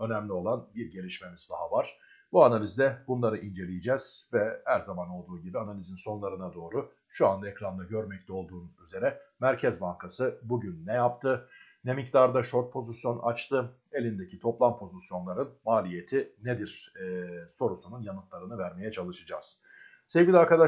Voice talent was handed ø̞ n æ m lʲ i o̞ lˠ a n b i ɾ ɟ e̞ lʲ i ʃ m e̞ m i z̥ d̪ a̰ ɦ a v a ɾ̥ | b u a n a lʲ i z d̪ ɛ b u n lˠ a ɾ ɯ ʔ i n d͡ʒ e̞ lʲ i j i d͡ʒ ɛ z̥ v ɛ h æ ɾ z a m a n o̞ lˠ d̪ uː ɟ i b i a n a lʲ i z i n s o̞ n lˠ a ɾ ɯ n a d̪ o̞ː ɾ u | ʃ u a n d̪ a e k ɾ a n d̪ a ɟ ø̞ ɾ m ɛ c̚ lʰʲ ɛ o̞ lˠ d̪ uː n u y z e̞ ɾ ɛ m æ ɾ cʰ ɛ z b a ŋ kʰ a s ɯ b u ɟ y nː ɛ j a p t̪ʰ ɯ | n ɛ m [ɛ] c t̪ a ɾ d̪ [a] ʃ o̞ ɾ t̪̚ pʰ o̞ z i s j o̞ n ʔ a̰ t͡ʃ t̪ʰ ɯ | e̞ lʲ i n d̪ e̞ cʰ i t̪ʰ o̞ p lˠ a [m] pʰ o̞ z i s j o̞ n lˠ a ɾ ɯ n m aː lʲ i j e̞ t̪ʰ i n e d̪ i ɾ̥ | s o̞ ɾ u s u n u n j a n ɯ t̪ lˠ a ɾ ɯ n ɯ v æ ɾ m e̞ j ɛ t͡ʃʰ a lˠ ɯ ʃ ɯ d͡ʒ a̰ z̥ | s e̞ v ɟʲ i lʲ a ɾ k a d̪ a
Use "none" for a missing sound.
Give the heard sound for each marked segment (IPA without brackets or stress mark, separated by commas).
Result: i, a, m